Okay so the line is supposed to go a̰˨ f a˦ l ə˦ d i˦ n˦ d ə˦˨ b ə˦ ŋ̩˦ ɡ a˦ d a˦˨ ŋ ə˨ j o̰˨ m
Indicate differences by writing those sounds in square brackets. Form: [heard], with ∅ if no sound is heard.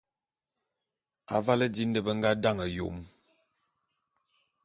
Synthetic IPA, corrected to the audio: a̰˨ [v] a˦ l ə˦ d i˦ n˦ d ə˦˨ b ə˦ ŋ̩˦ ɡ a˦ d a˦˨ ŋ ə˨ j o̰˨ m